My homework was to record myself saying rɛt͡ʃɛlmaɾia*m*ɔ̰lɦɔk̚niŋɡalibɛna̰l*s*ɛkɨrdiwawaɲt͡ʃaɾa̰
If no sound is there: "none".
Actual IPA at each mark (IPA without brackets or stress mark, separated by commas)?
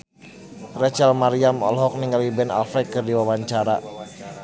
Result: m, f